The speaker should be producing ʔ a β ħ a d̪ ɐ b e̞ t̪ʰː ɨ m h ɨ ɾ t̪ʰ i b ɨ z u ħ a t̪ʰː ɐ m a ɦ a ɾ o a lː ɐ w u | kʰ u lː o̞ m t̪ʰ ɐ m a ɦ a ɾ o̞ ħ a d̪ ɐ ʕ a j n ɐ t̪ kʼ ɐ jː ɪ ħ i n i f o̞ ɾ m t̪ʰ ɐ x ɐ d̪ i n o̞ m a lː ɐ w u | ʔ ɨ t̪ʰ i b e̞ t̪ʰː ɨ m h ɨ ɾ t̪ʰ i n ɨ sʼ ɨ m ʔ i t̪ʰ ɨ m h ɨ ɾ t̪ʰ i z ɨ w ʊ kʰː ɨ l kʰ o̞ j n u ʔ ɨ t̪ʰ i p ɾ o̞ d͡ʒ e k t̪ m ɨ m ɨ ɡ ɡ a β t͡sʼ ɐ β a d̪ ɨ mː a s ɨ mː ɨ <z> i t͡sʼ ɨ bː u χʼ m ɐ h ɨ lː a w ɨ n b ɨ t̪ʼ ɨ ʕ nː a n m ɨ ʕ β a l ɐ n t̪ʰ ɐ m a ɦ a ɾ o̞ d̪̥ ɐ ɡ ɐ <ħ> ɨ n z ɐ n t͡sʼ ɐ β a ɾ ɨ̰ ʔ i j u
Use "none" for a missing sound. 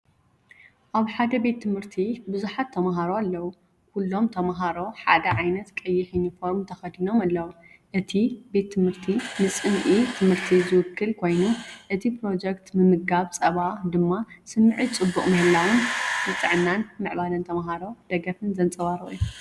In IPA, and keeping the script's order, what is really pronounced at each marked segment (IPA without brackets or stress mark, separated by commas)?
ʕ, f